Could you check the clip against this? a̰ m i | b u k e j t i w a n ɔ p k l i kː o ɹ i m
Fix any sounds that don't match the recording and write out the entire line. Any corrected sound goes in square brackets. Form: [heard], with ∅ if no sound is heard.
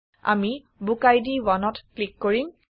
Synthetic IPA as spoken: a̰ m i | b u k [a] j [d] i w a n ɔ [t] k l i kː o ɹ i m

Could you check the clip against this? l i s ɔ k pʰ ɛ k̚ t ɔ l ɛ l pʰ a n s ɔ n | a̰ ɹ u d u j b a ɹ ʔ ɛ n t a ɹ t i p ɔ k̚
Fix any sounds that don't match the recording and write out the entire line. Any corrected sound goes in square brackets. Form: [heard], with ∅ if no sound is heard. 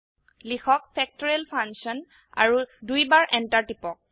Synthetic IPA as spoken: l i [x] ɔ k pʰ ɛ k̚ t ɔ [ɹ] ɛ l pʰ a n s ɔ n | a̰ ɹ u d u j b a ɹ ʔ ɛ n t a ɹ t i p ɔ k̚

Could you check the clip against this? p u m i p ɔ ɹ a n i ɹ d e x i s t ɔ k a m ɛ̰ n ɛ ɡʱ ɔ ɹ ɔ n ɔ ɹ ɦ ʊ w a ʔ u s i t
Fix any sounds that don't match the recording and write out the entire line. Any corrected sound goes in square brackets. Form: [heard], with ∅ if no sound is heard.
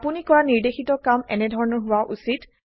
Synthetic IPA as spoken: p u [n] i [k] ɔ ɹ a n i ɹ d e x i [∅] t ɔ k a m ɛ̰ n ɛ [dʱ] ɔ ɹ ɔ n ɔ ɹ ɦ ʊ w a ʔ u s i t

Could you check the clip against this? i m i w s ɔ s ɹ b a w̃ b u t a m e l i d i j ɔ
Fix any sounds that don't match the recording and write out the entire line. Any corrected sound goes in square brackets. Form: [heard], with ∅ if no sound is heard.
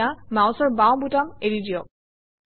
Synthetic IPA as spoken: [a] m [a] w s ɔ [∅] ɹ b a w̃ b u t a m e [ɹ] i d i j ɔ

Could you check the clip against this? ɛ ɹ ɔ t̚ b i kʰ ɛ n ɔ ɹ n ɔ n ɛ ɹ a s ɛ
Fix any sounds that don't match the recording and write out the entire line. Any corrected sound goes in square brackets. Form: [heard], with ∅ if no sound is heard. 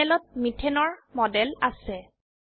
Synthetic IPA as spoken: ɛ [l] ɔ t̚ [m] i [tʰ] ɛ n ɔ ɹ [m] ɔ [d] ɛ [l] a s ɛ

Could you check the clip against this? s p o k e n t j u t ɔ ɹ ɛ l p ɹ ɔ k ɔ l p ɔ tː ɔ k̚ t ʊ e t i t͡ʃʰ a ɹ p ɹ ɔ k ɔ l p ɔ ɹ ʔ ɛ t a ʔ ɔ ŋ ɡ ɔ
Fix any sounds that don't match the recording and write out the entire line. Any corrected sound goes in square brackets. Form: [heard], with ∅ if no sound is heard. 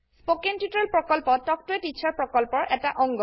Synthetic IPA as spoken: s p o k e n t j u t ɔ ɹ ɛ l p ɹ ɔ k ɔ l p ɔ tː ɔ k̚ t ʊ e t i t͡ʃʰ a ɹ p ɹ ɔ k ɔ l p ɔ ɹ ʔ ɛ t a ʔ ɔ ŋ ɡ ɔ

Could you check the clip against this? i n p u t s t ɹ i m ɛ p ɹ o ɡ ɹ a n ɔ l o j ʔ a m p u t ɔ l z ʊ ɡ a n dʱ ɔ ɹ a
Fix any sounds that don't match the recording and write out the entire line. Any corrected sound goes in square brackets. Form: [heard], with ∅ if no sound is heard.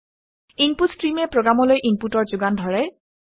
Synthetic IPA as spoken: i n p u t s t ɹ i m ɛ p ɹ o ɡ ɹ a [m] ɔ l o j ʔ [i] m p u t ɔ [ɹ] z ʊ ɡ a n dʱ ɔ ɹ [ɛ]

